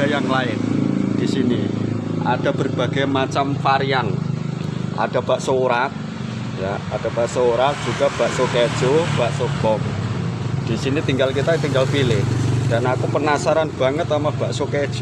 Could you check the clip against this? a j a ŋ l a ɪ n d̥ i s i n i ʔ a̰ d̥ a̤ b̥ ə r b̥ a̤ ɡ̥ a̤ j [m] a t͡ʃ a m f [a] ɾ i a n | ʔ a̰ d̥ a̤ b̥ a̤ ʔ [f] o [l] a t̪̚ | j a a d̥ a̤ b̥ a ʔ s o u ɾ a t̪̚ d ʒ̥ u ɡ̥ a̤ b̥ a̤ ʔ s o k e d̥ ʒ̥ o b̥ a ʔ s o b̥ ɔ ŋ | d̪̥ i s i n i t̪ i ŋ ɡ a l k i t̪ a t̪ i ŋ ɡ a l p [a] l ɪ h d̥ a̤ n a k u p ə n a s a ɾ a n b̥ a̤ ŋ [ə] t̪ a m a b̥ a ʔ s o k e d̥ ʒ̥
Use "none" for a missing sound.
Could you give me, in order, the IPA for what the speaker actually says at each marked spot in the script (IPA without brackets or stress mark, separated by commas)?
m, a, s, ɾ, i, ə